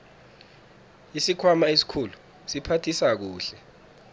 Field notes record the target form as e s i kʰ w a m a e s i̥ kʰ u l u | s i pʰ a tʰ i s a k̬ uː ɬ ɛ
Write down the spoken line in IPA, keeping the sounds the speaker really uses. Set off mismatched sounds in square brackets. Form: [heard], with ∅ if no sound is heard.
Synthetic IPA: [i] s i kʰ w a m a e s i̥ kʰ u l u | s i pʰ a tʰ i s a k̬ uː ɬ ɛ